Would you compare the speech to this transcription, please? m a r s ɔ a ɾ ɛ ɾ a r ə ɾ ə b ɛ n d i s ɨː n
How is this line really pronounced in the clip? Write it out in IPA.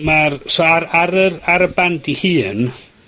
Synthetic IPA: m a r s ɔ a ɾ a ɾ ə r a ɾ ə b a n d i h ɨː n